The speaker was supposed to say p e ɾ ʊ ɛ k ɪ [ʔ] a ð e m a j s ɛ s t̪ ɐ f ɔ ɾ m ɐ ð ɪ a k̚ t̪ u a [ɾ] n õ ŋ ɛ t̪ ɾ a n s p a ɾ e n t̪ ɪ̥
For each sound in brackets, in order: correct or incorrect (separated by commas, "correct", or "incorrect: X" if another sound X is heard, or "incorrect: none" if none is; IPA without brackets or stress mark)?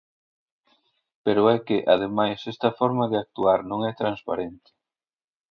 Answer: correct, correct